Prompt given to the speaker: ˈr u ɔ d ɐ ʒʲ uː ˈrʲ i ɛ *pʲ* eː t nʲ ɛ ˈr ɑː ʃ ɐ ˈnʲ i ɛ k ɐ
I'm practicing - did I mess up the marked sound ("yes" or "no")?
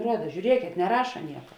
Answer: yes